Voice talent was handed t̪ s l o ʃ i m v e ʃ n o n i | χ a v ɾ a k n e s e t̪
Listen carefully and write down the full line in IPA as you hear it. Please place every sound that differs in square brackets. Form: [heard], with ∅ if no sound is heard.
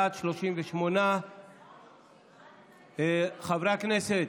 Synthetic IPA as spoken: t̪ [ʃ] l o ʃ i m v e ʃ [m] o n [a] | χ a v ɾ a k n e s e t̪